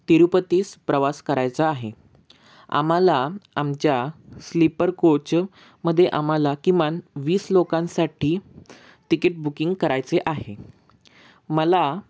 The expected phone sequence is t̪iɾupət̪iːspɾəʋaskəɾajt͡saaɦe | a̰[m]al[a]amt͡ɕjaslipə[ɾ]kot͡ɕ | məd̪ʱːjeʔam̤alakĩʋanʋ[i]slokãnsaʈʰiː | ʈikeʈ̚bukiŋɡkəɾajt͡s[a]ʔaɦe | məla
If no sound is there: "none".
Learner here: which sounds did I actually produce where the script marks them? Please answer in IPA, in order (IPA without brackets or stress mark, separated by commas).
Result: m, a, ɾ, iː, e